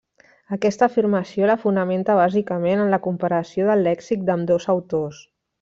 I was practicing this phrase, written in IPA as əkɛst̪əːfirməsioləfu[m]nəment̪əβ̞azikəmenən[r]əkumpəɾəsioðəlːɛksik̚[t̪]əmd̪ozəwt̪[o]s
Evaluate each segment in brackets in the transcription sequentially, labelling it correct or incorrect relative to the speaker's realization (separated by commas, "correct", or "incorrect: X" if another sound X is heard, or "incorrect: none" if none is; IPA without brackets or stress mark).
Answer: incorrect: none, incorrect: l, incorrect: d̪, correct